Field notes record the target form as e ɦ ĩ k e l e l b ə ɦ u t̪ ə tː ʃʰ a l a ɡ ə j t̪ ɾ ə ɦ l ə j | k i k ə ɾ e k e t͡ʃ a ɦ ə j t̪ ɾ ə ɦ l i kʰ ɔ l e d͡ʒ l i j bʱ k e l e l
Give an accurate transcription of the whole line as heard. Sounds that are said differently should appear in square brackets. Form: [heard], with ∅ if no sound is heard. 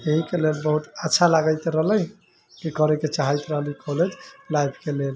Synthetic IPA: e ɦ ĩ k e l e l b ə ɦ u t̪ ə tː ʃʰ a l a ɡ ə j t̪ ɾ ə ɦ l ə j | k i k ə ɾ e k e t͡ʃ a ɦ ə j t̪ ɾ ə ɦ l i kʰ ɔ l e d͡ʒ l [a] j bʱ k e l e l